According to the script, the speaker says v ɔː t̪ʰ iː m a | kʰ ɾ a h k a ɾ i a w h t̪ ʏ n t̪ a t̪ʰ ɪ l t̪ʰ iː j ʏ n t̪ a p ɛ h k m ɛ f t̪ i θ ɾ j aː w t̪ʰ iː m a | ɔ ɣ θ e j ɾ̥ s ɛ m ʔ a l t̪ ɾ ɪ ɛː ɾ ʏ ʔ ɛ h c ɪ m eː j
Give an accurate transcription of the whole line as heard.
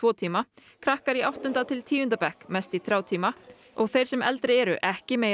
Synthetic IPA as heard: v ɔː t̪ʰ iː m a | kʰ ɾ a h k a ɾ i a w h t̪ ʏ n t̪ a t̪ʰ ɪ l t̪ʰ iː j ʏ n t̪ a p ɛ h k m ɛ s t̪ i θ ɾ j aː w t̪ʰ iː m a | ɔ ɣ θ e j ɾ̥ s ɛ m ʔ ɛ l t̪ ɾ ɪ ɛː ɾ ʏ ʔ ɛ h c ɪ m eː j

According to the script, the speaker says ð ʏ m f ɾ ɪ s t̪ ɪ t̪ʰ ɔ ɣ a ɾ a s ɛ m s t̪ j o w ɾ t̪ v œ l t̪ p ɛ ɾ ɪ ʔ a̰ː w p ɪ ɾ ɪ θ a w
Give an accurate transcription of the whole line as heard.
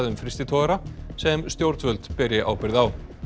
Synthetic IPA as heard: ð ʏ m f ɾ ɪ s t̪ ɪ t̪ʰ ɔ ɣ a ɾ a s ɛ m s t̪ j o w ɾ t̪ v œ l t̪ p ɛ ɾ ɪ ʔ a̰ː w p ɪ ɾ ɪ ð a w

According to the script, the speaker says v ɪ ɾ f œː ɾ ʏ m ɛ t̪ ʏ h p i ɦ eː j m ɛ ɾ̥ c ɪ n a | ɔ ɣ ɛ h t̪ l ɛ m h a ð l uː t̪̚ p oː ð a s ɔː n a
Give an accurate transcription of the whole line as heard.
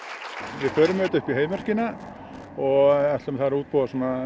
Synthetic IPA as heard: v ɪ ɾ f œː ɾ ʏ m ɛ t̪ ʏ h p i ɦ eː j m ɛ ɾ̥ c ɪ n a | ɔ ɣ ɛ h t̪ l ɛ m θ a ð ɾ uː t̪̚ p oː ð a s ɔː n a

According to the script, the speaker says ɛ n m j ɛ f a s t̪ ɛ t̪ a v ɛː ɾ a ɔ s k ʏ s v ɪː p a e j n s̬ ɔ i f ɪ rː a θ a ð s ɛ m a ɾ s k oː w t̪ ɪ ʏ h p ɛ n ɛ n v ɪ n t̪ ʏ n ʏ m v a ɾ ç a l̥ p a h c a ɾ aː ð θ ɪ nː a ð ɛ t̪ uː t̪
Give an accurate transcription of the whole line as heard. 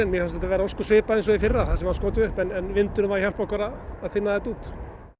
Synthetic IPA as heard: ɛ n m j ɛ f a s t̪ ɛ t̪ a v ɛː ɾ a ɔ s k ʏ s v ɪː p a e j n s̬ ɔ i f ɪ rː a θ a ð s ɛ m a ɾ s k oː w t̪ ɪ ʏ h p ɛ n ɛ n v ɪ n t̪ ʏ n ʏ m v a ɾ ç a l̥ p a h k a ɾ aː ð θ ɪ nː a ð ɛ t̪ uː t̪

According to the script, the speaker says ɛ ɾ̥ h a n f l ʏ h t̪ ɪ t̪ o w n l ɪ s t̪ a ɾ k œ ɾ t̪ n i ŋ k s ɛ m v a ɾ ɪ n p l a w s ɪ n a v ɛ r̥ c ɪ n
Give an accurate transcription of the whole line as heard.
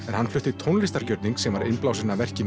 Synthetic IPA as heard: ɛ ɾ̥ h a n f l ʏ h t̪ ɪ t̪ʰ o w n l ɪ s t̪ a ɾ c œ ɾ t̪ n i ŋ k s ɛ m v a ɾ ɪ n p l a w s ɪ n a v ɛ r̥ c ɪ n

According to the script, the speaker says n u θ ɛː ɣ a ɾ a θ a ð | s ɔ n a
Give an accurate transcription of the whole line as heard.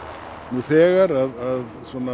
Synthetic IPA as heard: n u θ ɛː ɣ a ɾ a ð a ð | s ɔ n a

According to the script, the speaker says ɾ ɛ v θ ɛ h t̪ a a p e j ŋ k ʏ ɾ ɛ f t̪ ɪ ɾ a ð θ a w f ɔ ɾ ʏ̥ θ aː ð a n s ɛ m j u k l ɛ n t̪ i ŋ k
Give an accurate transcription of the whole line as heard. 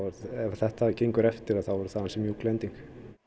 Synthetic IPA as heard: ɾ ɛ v θ ɛ h t̪ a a c e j ŋ k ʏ ɾ ɛ f t̪ ɪ ɾ a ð θ a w v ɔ ɾ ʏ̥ θ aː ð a n s ɛ m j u k l ɛ n t̪ i ŋ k

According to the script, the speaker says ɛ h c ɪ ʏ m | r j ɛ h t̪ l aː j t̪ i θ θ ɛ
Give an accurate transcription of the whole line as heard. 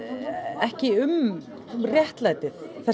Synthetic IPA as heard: ɛ h c ɪ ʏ m | r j ɛ h t̪ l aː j t̪ ɪ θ θ ɛ

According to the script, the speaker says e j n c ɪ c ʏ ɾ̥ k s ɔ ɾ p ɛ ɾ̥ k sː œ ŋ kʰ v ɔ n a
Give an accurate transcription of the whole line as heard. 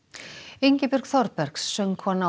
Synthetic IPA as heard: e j ɲ c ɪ p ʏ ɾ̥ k θ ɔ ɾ p ɛ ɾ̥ k sː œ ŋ kʰ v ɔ n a

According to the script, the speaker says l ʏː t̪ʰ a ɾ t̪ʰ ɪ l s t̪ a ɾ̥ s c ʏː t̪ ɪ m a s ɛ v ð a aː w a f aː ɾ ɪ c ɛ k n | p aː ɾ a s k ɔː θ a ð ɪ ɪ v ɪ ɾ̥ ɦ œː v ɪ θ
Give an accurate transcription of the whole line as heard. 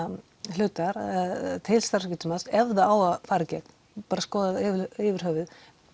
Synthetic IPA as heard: l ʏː t̪ a ɾ t̪ʰ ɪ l s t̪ a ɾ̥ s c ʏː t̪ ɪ m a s ɛ v ð a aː w a f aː ɾ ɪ c ɛ k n | p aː ɾ a s k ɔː ð a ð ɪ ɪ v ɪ ɾ̥ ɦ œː v ɪ ð

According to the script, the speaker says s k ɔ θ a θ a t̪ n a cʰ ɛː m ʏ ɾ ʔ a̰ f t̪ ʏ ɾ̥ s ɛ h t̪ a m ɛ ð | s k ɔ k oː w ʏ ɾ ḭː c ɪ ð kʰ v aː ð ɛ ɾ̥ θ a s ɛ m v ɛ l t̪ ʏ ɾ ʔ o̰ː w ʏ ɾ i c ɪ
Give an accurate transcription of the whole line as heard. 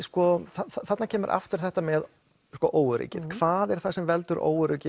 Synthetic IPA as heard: s k ɔ θ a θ a t̪ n a cʰ ɛː m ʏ ɾ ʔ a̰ f t̪ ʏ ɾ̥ θ ɛ h t̪ a m ɛ ð | s k ɔ ʔ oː w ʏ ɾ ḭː c ɪ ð kʰ v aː ð ɛ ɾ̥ θ a s ɛ m v ɛ l t̪ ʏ ɾ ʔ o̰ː w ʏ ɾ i c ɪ

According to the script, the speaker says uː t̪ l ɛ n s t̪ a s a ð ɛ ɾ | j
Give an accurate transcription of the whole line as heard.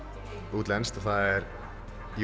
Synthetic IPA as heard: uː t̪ l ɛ n s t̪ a θ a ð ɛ ɾ | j

